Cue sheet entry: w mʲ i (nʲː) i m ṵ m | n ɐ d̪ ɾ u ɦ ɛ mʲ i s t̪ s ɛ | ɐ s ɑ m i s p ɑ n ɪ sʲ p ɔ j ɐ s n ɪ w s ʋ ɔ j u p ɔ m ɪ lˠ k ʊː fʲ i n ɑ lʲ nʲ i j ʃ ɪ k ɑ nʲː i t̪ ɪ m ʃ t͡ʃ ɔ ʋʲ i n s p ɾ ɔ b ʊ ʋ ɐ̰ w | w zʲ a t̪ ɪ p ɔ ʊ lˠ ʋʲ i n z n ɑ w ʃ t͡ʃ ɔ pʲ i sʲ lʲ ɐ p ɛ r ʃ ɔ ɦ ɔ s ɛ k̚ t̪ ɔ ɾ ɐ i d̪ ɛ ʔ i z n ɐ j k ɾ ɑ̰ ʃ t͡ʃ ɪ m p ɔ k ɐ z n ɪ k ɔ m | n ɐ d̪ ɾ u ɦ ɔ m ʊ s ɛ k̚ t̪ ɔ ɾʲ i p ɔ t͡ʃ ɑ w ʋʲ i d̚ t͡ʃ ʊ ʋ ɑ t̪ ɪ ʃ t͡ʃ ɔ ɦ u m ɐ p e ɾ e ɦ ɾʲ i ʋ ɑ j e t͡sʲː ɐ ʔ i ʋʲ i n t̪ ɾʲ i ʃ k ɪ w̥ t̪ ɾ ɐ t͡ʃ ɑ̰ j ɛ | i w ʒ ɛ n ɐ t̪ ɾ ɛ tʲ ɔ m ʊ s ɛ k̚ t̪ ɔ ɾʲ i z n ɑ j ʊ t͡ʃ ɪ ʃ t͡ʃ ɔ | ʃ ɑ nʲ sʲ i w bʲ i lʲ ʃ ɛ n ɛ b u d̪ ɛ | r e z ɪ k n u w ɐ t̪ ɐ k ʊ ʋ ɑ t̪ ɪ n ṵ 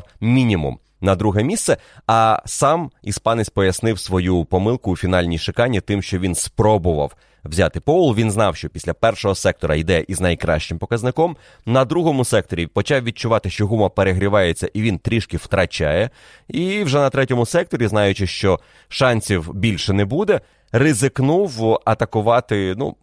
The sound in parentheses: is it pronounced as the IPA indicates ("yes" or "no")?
no